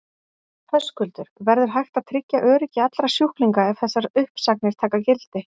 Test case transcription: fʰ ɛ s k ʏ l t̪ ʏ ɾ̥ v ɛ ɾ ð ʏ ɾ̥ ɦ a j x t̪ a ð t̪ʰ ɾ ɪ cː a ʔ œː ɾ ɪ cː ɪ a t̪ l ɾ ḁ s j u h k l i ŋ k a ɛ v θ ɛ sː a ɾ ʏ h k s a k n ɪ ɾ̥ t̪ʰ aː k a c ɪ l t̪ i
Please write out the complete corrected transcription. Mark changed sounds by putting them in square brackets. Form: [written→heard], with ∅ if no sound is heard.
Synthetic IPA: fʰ [ɛ→œ] s k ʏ l t̪ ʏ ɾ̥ v ɛ ɾ ð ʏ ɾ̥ ɦ a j x t̪ a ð t̪ʰ ɾ ɪ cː a ʔ œː ɾ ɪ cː ɪ a t̪ l ɾ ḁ s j u h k l i ŋ k a ɛ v θ ɛ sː a ɾ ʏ h [k→p] s a k n ɪ ɾ̥ t̪ʰ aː k a c ɪ l t̪ [i→ɪ]